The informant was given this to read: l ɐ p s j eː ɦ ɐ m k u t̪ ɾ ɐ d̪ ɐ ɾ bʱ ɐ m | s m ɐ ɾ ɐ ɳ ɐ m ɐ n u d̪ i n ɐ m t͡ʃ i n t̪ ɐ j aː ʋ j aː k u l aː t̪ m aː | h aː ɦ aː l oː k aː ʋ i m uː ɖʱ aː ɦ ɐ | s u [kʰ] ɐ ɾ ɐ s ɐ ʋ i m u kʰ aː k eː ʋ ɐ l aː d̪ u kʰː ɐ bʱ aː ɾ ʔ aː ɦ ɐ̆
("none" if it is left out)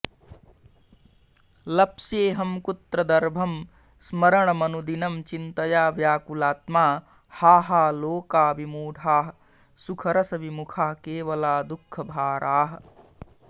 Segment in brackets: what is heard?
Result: kʰ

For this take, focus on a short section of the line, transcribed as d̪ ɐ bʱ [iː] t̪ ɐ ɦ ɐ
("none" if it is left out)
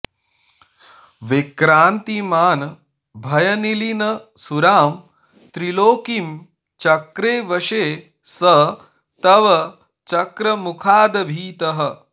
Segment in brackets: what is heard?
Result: iː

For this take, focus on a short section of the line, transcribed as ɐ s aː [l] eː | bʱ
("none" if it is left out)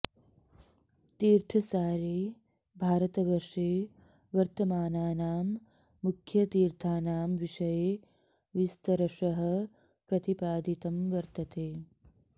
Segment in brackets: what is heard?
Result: ɾ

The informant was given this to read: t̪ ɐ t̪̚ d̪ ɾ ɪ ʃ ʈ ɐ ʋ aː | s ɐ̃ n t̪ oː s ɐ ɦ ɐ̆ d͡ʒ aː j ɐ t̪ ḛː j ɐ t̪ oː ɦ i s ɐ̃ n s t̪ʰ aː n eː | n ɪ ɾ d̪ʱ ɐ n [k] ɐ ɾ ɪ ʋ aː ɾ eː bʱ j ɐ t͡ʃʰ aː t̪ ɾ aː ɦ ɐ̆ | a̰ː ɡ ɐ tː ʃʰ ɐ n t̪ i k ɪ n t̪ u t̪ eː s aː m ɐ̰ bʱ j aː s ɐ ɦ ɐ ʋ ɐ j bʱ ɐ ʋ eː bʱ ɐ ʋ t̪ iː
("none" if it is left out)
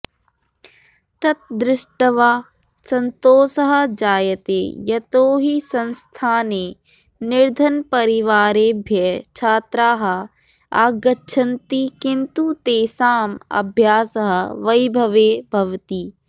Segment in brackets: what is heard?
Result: p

